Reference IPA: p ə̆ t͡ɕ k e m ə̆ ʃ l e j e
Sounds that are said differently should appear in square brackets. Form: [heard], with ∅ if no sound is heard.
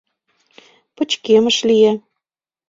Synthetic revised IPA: p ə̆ t͡ɕ k e m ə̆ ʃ l [i] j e